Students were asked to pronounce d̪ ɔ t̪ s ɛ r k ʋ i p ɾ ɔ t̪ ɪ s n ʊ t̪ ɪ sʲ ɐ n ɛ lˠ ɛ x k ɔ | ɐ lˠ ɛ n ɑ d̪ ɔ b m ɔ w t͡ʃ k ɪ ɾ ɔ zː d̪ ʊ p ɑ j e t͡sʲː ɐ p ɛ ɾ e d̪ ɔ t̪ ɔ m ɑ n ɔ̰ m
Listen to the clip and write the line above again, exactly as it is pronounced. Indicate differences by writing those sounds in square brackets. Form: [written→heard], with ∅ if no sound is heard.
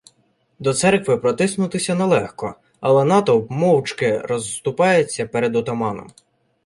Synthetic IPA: d̪ ɔ t̪ s ɛ r k ʋ [i→ɪ] p ɾ ɔ t̪ ɪ s n ʊ t̪ ɪ sʲ ɐ n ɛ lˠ ɛ x k ɔ | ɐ lˠ ɛ n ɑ [d̪→t̪] ɔ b m ɔ w t͡ʃ k ɪ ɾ ɔ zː [d̪→t̪] ʊ p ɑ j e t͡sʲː ɐ p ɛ ɾ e d̪ ɔ t̪ ɔ m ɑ n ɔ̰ m